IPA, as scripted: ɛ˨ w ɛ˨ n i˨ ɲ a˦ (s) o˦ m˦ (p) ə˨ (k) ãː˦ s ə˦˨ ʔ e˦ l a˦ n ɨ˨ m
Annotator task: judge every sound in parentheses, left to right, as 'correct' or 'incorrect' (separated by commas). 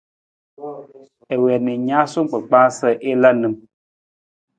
correct, incorrect, incorrect